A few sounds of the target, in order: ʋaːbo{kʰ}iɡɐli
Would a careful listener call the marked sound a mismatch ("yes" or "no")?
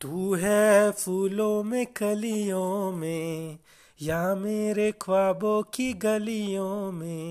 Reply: yes